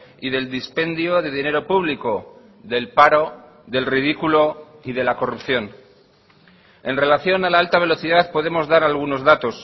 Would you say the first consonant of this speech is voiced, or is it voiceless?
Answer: voiced